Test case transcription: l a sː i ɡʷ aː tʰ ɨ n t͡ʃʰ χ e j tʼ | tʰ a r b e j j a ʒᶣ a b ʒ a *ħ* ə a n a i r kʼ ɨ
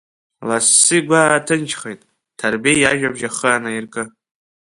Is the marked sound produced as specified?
no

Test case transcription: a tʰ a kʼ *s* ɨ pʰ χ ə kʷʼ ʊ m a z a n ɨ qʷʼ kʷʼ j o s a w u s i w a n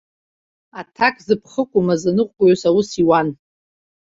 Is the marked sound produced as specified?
no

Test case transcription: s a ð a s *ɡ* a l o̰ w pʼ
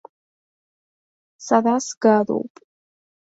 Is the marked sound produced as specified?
yes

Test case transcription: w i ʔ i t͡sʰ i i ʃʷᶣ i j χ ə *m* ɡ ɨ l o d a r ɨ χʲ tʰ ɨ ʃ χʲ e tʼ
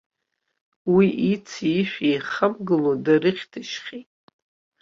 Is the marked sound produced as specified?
yes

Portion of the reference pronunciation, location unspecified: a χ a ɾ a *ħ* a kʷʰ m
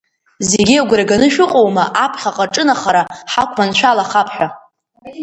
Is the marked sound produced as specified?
yes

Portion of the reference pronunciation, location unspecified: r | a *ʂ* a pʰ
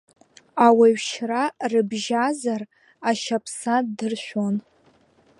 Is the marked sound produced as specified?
no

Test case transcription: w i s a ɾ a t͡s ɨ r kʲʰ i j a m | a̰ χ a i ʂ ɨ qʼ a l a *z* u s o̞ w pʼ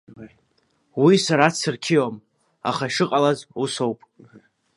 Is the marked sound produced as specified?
yes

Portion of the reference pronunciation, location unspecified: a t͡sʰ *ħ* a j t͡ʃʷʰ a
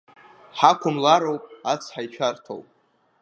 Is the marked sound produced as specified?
yes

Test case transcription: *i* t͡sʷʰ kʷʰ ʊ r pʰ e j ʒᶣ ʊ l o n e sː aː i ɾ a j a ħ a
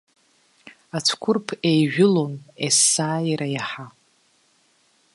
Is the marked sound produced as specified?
no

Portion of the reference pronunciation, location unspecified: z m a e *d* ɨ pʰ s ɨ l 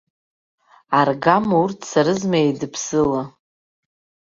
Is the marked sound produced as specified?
yes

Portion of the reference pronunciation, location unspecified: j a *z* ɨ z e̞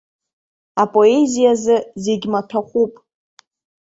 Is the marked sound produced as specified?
yes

